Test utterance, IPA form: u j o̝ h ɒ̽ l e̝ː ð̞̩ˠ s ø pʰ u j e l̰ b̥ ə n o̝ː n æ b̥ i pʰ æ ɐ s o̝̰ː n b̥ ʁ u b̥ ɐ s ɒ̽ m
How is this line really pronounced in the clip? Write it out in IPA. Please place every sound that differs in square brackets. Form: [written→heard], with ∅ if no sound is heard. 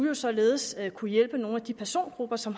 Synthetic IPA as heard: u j o̝ [h→s] ɒ̽ l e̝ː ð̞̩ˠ s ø [pʰ→kʰ] u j e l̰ b̥ ə n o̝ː n æ [b̥→d̥] i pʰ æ ɐ s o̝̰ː n [b̥→ɡ̥] ʁ u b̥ ɐ s ɒ̽ m